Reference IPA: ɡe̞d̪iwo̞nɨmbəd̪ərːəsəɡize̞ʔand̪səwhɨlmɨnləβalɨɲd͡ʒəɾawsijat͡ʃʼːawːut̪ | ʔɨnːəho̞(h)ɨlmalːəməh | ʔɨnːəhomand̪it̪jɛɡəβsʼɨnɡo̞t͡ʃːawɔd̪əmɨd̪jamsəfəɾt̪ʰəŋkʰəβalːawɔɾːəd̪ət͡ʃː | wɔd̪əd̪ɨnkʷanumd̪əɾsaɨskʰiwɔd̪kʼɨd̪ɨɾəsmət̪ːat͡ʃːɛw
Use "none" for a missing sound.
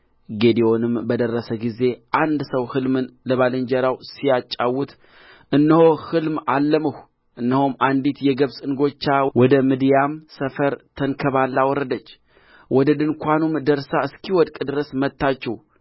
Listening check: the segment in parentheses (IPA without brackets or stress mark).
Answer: h